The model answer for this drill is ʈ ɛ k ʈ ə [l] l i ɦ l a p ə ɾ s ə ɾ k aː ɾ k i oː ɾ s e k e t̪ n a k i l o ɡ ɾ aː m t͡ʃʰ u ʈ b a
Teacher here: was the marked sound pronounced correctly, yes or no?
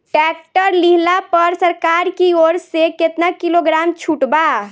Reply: no